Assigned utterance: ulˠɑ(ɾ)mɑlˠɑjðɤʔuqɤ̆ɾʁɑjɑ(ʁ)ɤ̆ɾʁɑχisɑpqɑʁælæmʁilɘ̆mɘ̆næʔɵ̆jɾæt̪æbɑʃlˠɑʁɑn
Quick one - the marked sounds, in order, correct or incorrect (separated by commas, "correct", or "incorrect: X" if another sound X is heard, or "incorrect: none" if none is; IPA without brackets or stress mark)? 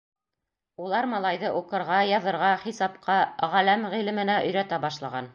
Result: correct, incorrect: ð